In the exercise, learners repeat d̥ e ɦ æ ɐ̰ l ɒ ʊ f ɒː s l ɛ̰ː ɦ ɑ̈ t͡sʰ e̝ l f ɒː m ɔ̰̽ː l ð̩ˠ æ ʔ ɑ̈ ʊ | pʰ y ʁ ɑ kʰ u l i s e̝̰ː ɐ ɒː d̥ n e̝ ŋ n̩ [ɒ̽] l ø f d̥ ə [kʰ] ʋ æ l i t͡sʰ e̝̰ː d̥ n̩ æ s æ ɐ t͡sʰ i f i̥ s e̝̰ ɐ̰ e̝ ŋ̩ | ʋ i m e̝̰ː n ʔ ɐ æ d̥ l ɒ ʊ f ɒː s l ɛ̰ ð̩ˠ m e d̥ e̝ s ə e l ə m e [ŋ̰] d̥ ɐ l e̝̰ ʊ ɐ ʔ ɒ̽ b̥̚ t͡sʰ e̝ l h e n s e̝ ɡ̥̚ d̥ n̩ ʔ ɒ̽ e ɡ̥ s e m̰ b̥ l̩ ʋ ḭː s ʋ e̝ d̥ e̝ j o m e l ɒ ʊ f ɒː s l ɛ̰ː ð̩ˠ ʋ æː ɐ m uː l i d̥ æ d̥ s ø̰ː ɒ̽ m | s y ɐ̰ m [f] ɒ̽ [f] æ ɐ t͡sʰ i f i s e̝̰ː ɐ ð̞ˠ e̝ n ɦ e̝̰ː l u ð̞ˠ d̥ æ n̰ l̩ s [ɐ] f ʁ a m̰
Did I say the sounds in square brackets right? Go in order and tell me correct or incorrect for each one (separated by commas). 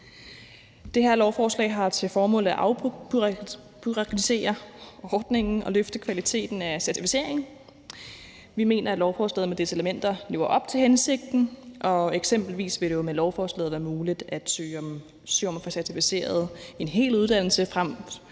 correct, correct, incorrect, correct, incorrect, incorrect